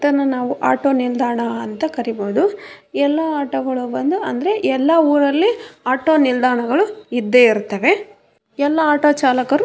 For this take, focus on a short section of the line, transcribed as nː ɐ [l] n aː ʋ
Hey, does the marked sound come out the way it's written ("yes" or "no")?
no